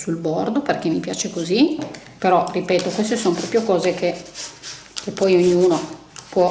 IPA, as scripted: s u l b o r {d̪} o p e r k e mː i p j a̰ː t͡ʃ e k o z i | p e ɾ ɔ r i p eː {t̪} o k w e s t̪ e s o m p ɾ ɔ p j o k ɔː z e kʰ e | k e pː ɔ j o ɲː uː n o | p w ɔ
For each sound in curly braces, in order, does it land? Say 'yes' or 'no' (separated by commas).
yes, yes